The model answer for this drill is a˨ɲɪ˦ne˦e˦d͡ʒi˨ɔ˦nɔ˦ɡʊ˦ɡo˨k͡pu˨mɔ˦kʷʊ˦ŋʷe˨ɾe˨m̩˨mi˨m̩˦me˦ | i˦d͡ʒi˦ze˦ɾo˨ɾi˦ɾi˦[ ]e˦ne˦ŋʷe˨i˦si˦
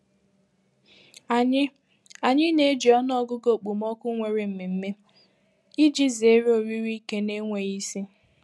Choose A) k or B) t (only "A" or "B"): A